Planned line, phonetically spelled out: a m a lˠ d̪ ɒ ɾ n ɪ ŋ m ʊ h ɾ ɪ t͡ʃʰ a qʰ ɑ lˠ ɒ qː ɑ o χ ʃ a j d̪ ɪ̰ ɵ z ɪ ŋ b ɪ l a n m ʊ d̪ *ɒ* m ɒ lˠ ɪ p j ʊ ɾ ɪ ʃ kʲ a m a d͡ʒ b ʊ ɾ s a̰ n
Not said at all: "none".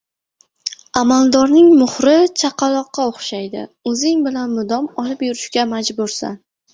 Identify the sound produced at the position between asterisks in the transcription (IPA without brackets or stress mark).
ɒ